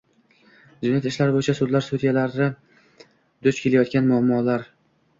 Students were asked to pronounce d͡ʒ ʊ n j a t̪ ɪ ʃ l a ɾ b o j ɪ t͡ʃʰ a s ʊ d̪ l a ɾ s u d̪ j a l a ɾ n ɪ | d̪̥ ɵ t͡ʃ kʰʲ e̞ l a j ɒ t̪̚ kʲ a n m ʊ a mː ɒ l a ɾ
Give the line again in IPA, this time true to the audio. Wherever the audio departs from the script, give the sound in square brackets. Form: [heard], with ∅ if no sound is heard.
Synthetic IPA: d͡ʒ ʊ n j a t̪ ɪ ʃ l a ɾ b o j ɪ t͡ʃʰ a s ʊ d̪ l a ɾ s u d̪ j a l a ɾ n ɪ | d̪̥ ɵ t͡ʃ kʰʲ e̞ l a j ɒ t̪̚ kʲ a n m ʊ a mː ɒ l a ɾ